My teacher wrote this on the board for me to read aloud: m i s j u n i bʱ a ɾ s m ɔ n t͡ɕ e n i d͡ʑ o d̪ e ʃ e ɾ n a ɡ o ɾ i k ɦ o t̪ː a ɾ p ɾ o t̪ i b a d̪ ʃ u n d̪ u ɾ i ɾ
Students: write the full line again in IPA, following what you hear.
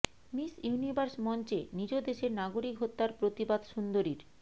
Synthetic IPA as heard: m i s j u n i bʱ a ɾ s m ɔ n t͡ɕ e n i d͡ʑ o d̪ e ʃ e ɾ n a ɡ o ɾ i k ɦ o t̪ː a ɾ p ɾ o t̪ i b a d̪ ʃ u n d̪ o ɾ i ɾ